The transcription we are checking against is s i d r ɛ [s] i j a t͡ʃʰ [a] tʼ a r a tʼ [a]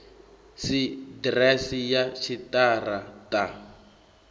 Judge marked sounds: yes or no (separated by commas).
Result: yes, no, yes